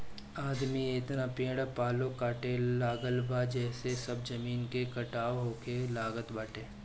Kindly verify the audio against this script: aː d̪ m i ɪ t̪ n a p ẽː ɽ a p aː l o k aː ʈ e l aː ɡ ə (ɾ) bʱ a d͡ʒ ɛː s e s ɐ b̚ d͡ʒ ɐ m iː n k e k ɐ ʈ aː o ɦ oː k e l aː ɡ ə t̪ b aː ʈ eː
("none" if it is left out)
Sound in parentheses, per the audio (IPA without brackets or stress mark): l